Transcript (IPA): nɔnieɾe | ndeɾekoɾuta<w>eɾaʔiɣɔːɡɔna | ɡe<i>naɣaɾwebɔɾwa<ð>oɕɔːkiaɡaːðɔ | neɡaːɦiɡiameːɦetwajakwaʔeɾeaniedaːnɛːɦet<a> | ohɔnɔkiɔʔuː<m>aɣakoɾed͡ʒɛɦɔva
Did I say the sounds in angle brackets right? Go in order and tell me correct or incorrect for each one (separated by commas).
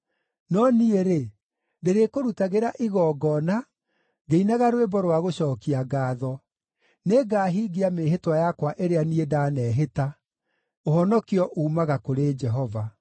incorrect, correct, incorrect, correct, correct